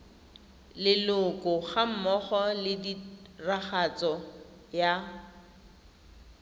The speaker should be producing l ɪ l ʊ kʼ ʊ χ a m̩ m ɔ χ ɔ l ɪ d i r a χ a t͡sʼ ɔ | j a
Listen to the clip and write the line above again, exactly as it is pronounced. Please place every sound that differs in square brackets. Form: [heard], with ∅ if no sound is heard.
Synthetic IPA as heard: l ɪ l ʊ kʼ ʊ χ a m̩ m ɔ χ ɔ l ɪ d i r a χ a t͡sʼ ɔ | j a